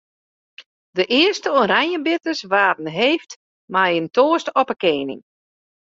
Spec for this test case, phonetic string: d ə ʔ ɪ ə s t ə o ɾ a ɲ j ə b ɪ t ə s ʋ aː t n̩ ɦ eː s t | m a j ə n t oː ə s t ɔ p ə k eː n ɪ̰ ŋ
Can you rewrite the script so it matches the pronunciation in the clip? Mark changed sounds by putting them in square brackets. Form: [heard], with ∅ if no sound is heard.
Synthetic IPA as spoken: d ə ʔ ɪ ə s t ə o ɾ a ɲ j ə b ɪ t ə s ʋ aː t n̩ ɦ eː [f] t | m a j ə n t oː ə s t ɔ p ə k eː n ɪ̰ ŋ